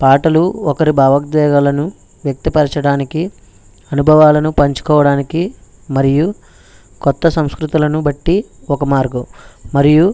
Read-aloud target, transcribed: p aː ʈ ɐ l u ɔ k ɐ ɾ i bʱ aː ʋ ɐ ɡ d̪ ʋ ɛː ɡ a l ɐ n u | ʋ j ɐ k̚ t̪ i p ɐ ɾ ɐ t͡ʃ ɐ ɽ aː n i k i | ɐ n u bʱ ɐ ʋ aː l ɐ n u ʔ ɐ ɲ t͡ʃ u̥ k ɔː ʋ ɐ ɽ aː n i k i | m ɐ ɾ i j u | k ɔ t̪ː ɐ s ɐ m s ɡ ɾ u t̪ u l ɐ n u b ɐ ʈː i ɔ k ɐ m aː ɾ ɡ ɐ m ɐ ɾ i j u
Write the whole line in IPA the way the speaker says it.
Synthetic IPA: p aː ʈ ɐ l u ɔ k ɐ ɾ i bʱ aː ʋ ɐ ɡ d̪ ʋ ɛː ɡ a l ɐ n u | ʋ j ɐ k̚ t̪ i p ɐ ɾ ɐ t͡ʃ ɐ ɽ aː n i k i | ɐ n u bʱ ɐ ʋ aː l ɐ n u p ɐ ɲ t͡ʃ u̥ k ɔː ʋ ɐ ɽ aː n i k i | m ɐ ɾ i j u | k ɔ t̪ː ɐ s ɐ m s k ɾ u t̪ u l ɐ n u b ɐ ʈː i ɔ k ɐ m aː ɾ ɡ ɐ m ɐ ɾ i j u